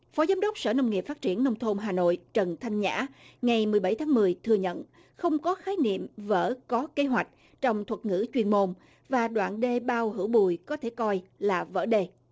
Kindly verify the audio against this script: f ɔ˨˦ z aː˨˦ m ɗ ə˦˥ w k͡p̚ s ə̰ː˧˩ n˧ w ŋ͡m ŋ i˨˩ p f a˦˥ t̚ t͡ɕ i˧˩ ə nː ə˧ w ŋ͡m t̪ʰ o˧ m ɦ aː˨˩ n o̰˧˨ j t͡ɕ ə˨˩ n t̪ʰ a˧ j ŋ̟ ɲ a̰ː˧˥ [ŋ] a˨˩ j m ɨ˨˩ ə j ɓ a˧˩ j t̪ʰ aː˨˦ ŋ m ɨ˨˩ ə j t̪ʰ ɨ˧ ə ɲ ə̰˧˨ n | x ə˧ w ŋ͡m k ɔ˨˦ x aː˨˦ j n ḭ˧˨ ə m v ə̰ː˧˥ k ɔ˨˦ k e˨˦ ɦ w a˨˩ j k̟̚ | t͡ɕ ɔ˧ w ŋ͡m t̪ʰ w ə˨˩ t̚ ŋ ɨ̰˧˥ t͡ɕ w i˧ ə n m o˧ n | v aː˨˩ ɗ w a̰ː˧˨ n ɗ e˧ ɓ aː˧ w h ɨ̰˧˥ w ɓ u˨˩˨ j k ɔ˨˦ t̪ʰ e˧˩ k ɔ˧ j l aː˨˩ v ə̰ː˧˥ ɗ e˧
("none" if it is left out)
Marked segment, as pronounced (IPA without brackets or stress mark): ŋ